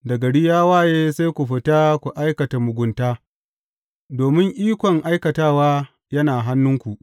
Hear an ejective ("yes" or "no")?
no